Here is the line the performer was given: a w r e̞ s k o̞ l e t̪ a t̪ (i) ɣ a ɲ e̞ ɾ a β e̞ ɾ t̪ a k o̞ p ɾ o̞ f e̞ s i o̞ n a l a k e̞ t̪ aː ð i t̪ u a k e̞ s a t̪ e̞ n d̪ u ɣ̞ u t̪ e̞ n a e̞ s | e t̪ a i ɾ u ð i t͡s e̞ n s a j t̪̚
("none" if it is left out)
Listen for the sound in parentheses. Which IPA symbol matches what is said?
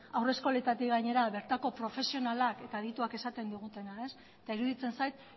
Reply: i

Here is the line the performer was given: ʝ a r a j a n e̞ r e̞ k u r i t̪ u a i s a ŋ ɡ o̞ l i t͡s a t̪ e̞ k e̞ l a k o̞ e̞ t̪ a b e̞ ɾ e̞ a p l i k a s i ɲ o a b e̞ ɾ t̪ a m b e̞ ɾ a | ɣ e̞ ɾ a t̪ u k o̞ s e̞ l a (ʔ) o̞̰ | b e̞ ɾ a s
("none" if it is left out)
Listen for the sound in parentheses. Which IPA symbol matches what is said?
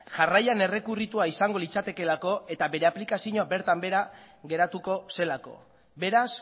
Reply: k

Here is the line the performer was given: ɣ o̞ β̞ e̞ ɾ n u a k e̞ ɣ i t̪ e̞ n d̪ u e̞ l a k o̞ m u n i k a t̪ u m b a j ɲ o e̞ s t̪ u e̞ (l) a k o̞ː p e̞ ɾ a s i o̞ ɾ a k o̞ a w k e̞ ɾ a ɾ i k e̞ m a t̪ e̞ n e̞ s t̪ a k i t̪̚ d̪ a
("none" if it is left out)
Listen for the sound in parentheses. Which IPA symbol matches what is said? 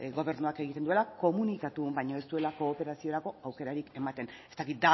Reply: l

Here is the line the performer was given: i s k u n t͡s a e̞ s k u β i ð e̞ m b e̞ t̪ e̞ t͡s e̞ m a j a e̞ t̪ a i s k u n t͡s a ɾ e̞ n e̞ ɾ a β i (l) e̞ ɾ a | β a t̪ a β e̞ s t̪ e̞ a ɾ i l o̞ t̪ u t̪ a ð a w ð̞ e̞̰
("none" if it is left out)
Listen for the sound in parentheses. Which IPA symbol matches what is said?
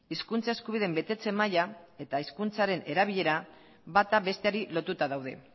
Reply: ʎ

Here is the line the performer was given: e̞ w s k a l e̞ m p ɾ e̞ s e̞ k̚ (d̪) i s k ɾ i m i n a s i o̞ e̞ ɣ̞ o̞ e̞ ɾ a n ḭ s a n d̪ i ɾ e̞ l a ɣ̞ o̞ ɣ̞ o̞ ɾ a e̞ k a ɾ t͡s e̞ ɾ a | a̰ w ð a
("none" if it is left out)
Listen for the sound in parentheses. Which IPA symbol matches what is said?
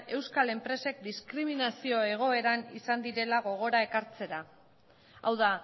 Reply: d̪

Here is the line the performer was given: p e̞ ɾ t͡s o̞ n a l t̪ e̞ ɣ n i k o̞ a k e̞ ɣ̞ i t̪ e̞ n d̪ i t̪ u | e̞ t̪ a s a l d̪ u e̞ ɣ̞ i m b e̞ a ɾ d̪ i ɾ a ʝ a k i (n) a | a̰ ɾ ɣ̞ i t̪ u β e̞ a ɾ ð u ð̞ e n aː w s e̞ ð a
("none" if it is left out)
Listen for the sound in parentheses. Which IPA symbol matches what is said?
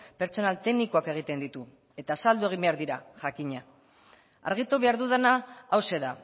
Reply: ɲ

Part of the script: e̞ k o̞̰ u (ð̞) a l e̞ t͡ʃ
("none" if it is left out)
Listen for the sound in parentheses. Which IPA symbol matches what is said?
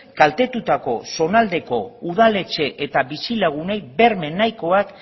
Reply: ð̞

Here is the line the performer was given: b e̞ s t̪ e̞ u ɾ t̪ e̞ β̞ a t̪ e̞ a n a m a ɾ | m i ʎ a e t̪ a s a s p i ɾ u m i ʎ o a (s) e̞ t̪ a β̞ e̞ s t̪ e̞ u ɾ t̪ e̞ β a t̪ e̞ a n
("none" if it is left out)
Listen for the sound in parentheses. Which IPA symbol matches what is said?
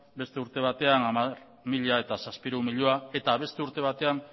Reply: none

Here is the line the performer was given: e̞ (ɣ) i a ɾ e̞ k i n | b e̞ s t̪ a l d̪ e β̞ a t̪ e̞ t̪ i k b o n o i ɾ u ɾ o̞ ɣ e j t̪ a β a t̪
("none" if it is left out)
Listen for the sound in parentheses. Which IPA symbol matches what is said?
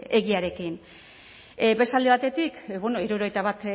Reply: ɣ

